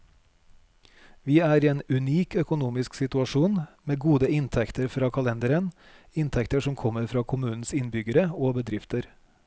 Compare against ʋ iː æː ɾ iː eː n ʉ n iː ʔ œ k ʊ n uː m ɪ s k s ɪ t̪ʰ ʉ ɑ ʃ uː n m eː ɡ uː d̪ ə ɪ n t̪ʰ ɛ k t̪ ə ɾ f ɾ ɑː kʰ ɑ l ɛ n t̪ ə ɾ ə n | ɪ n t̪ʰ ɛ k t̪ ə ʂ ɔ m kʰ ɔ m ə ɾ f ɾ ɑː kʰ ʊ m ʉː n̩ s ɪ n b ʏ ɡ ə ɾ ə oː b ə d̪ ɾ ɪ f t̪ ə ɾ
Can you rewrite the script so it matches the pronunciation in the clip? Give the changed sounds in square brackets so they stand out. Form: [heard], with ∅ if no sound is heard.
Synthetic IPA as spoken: ʋ iː æː ɾ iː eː n ʉ n iː [k] œ k ʊ n uː m ɪ s k s ɪ [t̪] ʉ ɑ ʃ uː n m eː ɡ uː d̪ ə ɪ n t̪ʰ ɛ k t̪ ə ɾ f ɾ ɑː kʰ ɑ l ɛ n [d̪] ə ɾ ə n | ɪ n t̪ʰ ɛ k t̪ ə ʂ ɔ m kʰ ɔ m ə ɾ f ɾ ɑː kʰ ʊ m ʉː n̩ s ɪ n b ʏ ɡ ə ɾ ə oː b ə d̪ ɾ ɪ f t̪ ə ɾ